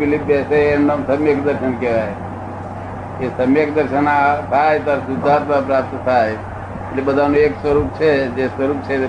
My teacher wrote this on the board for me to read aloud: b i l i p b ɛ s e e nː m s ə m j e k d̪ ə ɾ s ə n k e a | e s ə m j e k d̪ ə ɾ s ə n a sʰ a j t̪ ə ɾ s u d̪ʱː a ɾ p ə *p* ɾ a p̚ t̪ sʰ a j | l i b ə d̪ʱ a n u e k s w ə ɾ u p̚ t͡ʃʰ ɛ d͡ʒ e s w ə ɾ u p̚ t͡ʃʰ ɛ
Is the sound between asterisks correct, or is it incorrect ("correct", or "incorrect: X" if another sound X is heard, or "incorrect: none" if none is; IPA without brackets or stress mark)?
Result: correct